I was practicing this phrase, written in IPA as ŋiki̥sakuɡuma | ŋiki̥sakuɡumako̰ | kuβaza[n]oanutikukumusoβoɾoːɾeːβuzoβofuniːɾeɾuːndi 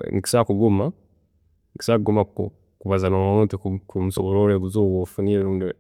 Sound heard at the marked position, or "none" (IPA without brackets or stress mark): n